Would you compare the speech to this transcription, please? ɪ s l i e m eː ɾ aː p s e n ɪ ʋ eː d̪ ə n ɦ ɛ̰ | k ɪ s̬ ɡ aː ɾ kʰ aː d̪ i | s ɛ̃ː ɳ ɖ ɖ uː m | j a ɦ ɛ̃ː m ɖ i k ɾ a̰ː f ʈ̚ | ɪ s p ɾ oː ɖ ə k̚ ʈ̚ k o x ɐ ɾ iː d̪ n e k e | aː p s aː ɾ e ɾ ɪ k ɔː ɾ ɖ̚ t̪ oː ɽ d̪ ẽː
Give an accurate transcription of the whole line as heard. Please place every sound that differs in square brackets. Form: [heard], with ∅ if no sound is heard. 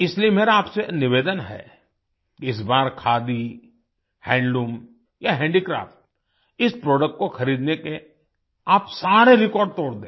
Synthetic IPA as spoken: ɪ s l i e m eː ɾ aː p s e n ɪ ʋ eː d̪ ə n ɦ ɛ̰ | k ɪ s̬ [b] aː ɾ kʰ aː d̪ i | [h] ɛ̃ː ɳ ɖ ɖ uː m | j a ɦ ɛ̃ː [ɳ] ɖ i k ɾ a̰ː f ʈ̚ | ɪ s p ɾ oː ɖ ə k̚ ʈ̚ k o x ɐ ɾ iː d̪ n e k e | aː p s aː ɾ e ɾ ɪ k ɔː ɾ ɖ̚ t̪ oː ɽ d̪ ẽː